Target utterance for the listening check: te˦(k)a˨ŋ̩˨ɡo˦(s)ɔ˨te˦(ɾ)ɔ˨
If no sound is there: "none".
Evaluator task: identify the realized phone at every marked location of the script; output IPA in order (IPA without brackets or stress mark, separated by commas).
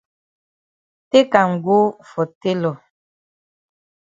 k, f, l